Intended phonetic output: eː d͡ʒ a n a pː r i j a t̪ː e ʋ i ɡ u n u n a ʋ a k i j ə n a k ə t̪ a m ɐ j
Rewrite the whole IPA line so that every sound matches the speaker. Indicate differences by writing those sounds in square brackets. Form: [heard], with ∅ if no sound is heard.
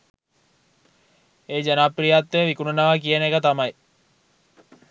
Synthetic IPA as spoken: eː d͡ʒ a n a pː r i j a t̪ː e ʋ i [k] u n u n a ʋ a k i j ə n [e] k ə t̪ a m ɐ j